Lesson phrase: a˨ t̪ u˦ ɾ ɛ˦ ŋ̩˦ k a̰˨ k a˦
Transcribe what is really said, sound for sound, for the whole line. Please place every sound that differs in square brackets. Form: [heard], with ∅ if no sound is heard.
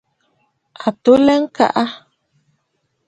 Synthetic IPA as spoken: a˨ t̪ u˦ [l] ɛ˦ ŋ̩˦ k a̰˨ [ʔ] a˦